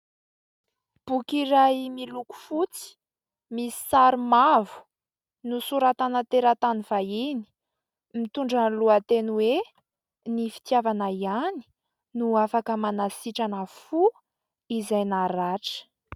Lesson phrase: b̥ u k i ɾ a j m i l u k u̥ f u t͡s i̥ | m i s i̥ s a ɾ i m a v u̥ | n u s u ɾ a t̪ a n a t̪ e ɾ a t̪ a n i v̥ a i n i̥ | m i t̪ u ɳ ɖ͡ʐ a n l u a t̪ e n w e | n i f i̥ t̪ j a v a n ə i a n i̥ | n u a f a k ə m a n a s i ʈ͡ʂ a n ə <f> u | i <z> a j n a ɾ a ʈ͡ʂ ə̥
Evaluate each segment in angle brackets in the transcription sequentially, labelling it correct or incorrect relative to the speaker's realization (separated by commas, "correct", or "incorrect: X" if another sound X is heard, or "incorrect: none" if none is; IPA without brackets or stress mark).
correct, correct